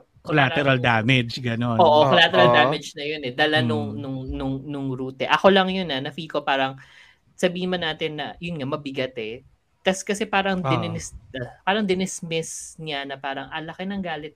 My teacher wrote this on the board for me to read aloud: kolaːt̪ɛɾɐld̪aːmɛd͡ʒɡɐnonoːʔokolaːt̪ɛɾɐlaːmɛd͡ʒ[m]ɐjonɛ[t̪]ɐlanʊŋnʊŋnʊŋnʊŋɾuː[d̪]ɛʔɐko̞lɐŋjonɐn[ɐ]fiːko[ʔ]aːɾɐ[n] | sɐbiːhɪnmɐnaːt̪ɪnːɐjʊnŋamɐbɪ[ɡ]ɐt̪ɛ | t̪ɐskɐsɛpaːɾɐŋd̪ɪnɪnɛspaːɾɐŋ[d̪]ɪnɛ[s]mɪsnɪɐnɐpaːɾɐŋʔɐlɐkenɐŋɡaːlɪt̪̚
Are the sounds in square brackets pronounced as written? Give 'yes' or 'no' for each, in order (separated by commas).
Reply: no, no, no, yes, no, no, yes, yes, yes